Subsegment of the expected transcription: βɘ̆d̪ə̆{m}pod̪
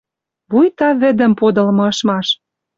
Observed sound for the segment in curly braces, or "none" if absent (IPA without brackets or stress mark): m